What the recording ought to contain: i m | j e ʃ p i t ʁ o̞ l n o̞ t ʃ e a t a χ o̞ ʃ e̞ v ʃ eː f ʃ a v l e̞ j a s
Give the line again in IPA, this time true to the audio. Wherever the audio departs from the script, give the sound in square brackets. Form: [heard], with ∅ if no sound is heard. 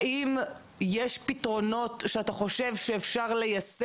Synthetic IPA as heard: i m | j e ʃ p i t ʁ o̞ [∅] n o̞ t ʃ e a t a χ o̞ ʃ e̞ v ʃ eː f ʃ a [ʁ] l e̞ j a s